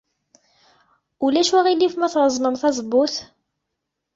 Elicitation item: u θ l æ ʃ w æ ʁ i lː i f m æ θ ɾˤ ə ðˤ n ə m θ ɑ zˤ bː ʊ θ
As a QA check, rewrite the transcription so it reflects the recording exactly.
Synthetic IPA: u l æ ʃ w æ ʁ i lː i f m æ θ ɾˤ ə zˤ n ə m θ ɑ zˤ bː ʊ θ